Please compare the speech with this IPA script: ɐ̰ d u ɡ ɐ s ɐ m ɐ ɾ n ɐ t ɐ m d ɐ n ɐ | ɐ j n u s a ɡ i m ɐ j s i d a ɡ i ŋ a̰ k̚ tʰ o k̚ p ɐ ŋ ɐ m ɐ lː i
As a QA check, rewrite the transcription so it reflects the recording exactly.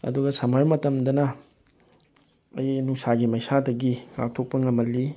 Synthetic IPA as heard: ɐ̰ d u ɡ ɐ s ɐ m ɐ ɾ m ɐ t ɐ m d ɐ n ɐ | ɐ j n u s a ɡ i m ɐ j s a d ɐ ɡ i ŋ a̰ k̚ tʰ o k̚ p ɐ ŋ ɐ m ɐ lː i